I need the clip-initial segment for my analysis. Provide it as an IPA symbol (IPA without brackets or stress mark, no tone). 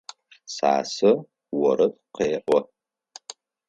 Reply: s